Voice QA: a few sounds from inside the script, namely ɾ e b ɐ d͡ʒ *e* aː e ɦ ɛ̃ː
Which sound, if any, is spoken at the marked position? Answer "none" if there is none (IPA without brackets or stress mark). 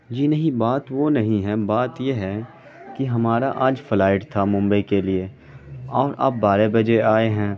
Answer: e